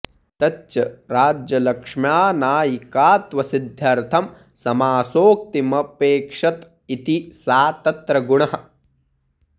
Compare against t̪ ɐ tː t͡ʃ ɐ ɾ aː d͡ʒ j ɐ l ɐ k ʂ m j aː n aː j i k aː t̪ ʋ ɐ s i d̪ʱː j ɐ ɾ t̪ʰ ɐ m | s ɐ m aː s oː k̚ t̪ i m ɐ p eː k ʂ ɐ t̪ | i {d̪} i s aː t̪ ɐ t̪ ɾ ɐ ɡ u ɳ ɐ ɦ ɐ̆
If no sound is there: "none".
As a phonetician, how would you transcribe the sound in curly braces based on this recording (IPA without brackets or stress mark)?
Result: t̪